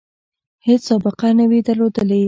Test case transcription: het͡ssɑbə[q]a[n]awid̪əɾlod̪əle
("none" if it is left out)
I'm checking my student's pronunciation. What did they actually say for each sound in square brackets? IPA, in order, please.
q, n

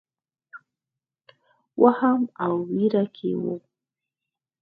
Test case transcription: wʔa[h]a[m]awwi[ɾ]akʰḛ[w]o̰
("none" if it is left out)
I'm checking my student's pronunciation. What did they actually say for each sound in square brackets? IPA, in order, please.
h, m, ɾ, w

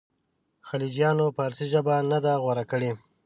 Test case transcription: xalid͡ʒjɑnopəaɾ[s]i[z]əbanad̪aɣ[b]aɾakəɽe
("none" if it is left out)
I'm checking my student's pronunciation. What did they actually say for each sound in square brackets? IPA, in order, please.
s, ʒ, w

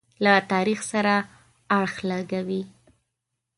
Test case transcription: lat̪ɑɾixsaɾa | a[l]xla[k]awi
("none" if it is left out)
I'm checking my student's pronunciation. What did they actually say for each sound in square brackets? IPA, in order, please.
ɽ, ɡ

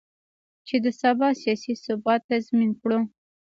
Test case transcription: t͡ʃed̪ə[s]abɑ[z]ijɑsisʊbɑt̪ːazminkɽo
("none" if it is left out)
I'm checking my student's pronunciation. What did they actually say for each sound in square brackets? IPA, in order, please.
s, s

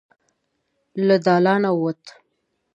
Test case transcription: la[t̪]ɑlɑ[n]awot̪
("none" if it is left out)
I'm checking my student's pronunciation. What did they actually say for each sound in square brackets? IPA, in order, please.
d̪, n

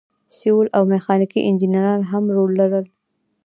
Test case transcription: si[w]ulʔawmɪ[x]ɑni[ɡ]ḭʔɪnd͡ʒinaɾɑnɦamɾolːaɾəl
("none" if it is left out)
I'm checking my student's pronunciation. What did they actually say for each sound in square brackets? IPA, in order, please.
w, x, k

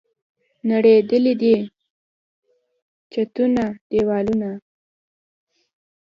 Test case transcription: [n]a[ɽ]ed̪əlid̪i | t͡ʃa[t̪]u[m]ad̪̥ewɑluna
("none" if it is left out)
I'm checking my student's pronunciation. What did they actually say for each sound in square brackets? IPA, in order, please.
n, ɽ, t̪, n

